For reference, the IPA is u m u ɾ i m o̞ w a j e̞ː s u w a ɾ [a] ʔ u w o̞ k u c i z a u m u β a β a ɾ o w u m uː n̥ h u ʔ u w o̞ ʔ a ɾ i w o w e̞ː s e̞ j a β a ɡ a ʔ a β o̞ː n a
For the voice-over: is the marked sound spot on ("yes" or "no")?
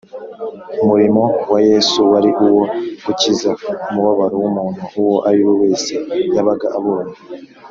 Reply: no